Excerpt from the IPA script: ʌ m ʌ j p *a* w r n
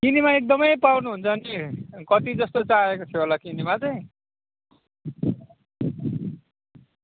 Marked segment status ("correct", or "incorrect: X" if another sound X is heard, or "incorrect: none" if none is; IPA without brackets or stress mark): correct